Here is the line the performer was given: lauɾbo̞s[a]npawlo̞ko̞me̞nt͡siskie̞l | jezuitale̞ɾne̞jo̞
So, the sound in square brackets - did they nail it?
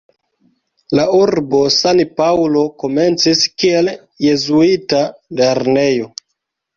yes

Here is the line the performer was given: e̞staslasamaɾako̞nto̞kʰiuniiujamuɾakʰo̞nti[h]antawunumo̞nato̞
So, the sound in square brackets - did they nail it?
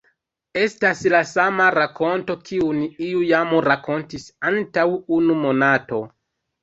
no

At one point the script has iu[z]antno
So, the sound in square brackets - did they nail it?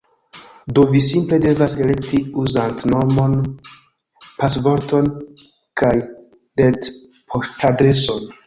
yes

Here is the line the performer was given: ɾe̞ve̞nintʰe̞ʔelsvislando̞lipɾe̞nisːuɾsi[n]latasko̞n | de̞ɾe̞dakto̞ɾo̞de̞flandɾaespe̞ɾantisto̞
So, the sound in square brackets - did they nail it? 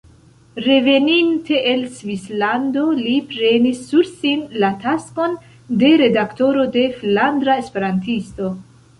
yes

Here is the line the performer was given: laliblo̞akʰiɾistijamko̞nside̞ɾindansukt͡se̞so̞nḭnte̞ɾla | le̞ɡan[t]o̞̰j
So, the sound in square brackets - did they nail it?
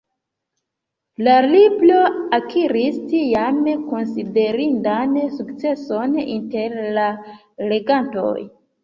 yes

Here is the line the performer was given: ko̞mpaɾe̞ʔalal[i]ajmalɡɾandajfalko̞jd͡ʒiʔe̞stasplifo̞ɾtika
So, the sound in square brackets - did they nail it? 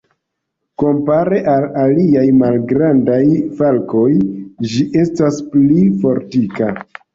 yes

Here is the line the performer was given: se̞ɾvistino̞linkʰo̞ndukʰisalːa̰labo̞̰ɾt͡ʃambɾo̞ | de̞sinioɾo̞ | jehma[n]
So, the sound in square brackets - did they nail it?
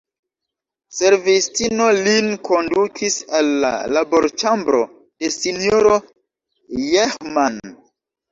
yes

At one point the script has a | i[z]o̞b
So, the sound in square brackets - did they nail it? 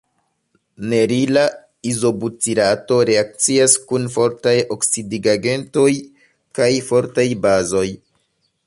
yes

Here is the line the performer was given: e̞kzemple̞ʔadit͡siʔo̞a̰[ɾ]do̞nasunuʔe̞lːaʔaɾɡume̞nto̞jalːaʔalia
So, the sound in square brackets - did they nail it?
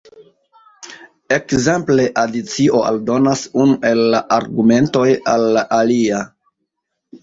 no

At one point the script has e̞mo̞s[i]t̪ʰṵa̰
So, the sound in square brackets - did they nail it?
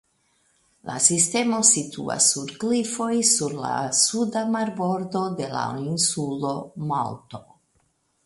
yes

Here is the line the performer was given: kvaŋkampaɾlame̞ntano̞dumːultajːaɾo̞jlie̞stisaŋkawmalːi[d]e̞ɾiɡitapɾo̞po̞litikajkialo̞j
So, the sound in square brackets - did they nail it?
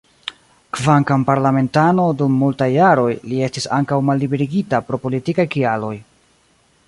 no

